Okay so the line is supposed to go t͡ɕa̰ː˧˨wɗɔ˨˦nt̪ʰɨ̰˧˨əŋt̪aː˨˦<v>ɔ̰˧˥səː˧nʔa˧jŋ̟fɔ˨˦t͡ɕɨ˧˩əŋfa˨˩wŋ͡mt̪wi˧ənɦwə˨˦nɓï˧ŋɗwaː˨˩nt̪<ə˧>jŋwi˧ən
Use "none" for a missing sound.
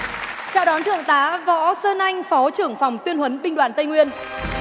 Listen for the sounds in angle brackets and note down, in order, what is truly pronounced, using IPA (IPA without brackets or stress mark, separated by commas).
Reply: v, ə˧